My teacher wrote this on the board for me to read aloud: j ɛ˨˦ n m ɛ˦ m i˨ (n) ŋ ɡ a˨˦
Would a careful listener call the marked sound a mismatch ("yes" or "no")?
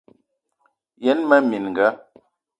no